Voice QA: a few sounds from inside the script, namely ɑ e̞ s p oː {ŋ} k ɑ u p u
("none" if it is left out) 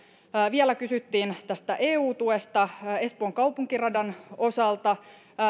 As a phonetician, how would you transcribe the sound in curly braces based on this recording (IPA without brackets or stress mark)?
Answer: ŋ